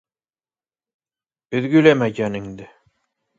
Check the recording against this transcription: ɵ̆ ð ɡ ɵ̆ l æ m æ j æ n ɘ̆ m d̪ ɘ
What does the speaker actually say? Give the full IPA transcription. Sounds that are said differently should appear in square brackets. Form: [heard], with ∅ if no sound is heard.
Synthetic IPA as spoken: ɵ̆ ð ɡ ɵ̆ l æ m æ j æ n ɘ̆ [ŋ] d̪ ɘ